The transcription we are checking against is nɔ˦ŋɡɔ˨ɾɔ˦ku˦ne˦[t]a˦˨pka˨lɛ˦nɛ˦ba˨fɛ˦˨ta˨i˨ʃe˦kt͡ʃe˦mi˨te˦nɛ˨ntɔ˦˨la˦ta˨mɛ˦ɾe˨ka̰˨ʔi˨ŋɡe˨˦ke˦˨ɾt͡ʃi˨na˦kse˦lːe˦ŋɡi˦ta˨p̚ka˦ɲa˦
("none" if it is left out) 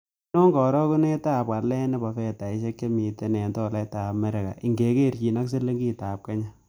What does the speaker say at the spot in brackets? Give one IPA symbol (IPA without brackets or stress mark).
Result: t